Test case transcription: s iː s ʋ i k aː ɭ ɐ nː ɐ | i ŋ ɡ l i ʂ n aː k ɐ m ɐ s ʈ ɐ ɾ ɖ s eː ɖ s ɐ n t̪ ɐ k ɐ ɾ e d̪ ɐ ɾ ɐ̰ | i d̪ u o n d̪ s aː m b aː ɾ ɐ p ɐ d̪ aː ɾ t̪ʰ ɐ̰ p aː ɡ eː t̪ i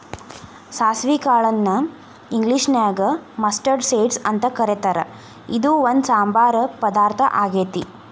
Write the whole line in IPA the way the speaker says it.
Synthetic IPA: s aː s ʋ i k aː ɭ ɐ nː ɐ | i ŋ ɡ l i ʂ n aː ɡ ɐ m ɐ s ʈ ɐ ɾ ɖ s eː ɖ s ɐ n t̪ ɐ k ɐ ɾ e t̪ ɐ ɾ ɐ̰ | i d̪ u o n d̪ s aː m b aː ɾ ɐ p ɐ d̪ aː ɾ t̪ʰ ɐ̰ ʔ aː ɡ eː t̪ i